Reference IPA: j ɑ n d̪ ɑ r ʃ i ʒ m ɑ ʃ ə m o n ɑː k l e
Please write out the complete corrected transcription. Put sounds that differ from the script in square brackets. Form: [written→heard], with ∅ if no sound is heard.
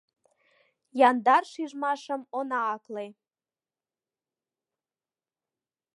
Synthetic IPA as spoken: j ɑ n d̪ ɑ r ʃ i ʒ m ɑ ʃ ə m o n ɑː k l e